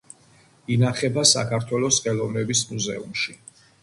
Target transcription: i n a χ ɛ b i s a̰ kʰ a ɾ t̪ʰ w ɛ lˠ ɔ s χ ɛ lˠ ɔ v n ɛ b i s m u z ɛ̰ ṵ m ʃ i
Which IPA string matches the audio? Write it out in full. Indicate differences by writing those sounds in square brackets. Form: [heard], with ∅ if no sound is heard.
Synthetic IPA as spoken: i n a χ ɛ b [a] s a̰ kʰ a ɾ t̪ʰ w ɛ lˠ ɔ s χ ɛ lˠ ɔ v n ɛ b i s m u z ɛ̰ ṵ m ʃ i